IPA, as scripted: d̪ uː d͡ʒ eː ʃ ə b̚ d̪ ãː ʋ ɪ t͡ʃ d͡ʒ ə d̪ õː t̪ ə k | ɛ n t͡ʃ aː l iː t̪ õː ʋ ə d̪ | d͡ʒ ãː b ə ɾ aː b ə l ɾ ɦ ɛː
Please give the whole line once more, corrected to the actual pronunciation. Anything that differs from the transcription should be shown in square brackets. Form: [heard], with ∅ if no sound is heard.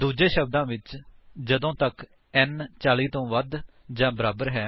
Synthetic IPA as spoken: d̪ uː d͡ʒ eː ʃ ə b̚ d̪ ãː ʋ ɪ t͡ʃ d͡ʒ ə d̪ õː t̪ ə k | ɛ n t͡ʃ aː l iː t̪ õː ʋ ə d̪ | d͡ʒ ãː b ə ɾ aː b ə [∅] ɾ ɦ ɛː